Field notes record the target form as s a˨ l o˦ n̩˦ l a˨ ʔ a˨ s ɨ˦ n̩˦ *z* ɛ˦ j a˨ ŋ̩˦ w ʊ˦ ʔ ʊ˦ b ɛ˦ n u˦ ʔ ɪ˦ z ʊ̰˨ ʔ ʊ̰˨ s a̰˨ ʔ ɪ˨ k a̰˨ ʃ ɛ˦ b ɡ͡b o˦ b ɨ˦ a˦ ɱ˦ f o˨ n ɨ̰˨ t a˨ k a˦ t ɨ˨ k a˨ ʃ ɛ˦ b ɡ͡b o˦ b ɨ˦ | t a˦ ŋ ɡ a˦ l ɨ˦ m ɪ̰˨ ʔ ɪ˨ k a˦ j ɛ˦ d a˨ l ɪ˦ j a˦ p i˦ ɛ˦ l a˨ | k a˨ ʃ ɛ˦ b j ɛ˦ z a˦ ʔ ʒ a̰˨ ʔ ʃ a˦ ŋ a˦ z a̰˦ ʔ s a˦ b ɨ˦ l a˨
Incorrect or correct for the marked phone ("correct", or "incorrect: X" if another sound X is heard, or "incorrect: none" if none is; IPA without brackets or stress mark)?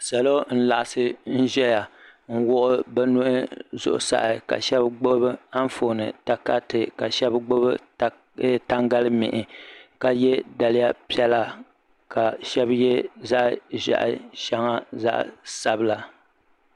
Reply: incorrect: ʒ